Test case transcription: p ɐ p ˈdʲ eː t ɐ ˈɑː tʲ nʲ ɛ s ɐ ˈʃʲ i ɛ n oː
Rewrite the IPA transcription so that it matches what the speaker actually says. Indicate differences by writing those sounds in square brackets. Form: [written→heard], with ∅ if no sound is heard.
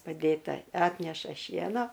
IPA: p ɐ [p→∅] ˈdʲ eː t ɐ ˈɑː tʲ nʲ ɛ [s→ʃ] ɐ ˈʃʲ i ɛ n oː